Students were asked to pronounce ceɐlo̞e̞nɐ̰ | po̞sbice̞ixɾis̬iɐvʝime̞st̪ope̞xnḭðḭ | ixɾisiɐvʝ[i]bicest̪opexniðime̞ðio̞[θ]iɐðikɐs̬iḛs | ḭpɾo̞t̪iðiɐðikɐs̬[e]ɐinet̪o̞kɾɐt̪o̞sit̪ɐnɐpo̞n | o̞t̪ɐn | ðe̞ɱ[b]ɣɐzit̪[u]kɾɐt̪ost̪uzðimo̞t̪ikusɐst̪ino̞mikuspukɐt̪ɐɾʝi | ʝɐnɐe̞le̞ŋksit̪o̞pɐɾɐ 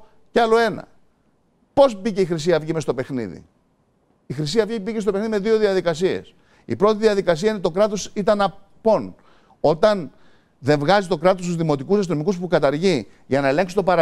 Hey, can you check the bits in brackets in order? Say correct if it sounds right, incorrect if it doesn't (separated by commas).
correct, incorrect, incorrect, incorrect, incorrect